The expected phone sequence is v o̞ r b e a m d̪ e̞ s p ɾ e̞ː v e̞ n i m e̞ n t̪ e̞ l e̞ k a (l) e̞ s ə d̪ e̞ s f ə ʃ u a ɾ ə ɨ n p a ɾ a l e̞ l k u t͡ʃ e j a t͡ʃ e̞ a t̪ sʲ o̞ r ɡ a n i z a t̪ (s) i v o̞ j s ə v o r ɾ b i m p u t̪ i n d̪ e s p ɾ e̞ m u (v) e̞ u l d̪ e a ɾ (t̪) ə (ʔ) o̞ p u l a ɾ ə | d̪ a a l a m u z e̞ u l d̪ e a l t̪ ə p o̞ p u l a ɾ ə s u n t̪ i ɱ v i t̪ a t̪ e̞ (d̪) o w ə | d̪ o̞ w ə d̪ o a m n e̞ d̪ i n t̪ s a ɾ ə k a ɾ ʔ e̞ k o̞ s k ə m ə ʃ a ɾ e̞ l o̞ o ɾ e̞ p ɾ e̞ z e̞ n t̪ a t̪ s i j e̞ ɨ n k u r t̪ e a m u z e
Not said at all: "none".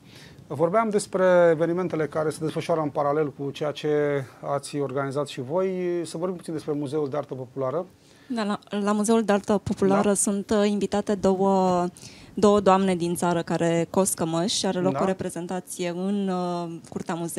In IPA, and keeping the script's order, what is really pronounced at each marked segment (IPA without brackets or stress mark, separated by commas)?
ɾ, ʃ, z, t̪, p, d̪